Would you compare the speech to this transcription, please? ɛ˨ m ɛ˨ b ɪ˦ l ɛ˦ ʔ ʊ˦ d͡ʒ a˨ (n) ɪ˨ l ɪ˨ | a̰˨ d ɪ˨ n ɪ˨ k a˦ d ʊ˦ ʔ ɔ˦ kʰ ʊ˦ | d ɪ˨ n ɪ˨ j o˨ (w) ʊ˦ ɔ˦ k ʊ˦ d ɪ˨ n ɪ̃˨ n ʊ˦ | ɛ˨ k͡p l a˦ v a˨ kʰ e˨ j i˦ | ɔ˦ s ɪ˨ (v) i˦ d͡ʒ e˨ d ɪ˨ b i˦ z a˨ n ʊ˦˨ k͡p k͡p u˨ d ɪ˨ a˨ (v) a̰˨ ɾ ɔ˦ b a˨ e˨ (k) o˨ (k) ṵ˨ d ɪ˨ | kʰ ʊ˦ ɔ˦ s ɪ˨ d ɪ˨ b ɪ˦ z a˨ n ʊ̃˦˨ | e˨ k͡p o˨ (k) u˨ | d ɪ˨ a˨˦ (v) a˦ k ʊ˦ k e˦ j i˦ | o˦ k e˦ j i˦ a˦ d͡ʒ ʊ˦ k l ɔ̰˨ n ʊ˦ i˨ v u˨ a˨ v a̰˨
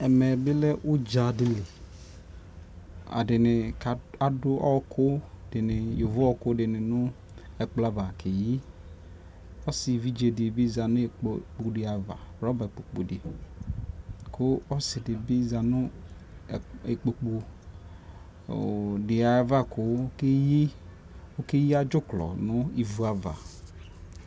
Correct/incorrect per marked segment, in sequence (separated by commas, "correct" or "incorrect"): incorrect, incorrect, correct, correct, incorrect, incorrect, incorrect, correct